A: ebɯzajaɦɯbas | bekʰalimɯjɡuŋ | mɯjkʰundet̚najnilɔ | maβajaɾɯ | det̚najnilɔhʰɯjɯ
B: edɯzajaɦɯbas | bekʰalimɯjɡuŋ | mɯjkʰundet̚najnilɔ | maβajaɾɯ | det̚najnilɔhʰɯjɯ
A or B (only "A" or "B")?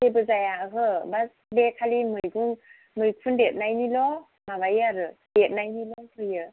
A